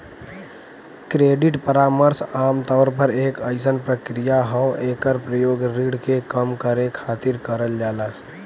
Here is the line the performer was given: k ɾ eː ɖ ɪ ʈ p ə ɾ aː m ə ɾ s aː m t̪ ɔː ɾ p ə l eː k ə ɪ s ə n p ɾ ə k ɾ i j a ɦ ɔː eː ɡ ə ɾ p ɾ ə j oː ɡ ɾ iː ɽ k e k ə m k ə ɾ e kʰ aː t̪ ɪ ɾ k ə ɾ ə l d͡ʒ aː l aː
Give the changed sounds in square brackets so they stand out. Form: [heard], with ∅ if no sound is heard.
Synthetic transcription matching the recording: k ɾ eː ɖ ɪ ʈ p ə ɾ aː m ə ɾ s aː m t̪ ɔː ɾ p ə [ɾ] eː k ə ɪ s ə n p ɾ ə k ɾ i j a ɦ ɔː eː [k] ə ɾ p ɾ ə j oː ɡ ɾ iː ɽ k e k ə m k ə ɾ e kʰ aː t̪ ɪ ɾ k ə ɾ ə l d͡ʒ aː l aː